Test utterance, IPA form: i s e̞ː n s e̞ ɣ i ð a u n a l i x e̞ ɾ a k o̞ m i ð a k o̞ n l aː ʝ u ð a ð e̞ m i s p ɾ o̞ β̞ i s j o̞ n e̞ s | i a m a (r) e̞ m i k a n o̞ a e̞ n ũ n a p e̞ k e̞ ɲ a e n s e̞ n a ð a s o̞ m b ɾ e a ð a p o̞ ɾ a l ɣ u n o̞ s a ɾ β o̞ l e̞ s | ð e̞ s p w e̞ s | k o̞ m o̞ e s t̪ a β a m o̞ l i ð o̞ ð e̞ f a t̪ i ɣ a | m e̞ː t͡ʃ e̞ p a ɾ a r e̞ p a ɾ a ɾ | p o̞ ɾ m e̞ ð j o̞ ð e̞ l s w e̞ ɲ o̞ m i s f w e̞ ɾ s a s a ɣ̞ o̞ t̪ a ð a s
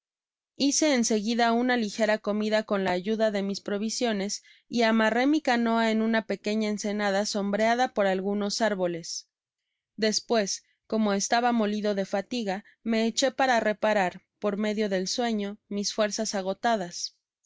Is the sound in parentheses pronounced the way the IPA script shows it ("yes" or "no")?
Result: yes